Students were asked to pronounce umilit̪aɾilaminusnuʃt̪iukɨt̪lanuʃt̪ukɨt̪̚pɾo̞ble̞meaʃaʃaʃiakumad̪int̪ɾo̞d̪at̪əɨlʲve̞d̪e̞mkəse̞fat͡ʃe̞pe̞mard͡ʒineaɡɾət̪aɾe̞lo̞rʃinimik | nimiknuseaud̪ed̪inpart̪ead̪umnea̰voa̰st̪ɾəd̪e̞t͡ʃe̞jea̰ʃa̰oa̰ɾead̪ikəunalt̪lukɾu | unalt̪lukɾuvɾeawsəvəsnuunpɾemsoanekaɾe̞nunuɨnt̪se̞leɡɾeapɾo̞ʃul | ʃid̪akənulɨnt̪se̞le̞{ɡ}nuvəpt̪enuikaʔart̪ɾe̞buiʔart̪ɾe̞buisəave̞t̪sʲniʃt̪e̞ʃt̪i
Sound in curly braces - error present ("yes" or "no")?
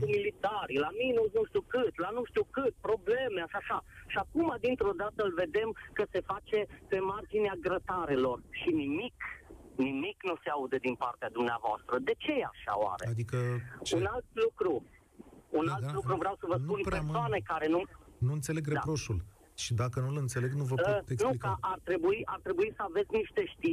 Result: no